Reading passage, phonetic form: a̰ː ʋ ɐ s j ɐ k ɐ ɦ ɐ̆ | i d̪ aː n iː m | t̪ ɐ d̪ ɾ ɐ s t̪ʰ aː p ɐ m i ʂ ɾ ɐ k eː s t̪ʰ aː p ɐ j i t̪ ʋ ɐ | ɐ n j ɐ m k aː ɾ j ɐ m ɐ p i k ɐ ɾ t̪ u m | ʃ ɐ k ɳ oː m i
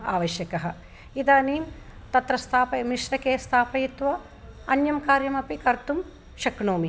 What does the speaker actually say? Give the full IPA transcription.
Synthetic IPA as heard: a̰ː ʋ ɐ ʃ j ɐ k ɐ ɦ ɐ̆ | i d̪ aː n iː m | t̪ ɐ t̪ ɾ ɐ s t̪ʰ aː p ɐ m i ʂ ɾ ɐ k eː s t̪ʰ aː p ɐ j i t̪ ʋ ɐ | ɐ n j ɐ m k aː ɾ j ɐ m ɐ p i k ɐ ɾ t̪ u m | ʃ ɐ k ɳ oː m i